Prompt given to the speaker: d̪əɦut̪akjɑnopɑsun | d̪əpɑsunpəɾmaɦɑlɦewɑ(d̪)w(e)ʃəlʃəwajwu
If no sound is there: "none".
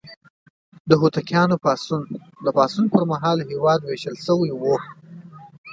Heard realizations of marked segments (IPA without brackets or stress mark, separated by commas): d̪, e